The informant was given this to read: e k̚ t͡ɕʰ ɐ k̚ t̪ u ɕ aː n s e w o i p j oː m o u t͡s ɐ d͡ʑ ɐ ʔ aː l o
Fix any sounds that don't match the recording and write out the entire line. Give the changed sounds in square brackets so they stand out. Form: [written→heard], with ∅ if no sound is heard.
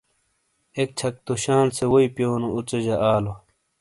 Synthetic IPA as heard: e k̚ t͡ɕʰ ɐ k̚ t̪ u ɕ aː n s e w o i p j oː [m→n] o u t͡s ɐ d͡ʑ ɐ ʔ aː l o

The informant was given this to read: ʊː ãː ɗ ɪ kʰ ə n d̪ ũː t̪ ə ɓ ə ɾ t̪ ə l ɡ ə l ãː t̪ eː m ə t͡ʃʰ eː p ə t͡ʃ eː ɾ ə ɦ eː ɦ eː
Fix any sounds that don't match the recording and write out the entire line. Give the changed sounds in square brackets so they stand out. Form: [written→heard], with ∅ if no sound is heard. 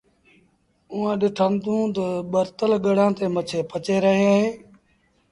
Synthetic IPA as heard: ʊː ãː ɗ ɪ [kʰ→ʈʰ] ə n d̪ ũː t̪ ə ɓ ə ɾ t̪ ə l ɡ ə [l→ɽ] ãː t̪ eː m ə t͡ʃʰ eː p ə t͡ʃ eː ɾ ə ɦ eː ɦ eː

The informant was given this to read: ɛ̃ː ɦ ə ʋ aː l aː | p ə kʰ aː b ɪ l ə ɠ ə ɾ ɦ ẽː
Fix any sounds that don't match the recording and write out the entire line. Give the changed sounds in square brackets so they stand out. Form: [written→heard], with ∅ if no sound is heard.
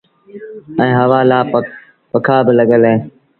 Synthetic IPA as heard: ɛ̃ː ɦ ə ʋ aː l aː | p ə kʰ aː b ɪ l ə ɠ ə [ɾ→l] ɦ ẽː

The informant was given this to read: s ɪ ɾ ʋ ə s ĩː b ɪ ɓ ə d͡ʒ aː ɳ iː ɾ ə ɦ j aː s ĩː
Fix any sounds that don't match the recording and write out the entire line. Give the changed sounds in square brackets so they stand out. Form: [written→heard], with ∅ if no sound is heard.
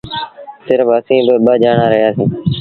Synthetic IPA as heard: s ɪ ɾ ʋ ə s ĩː b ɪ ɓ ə d͡ʒ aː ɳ [iː→aː] ɾ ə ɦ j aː s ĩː

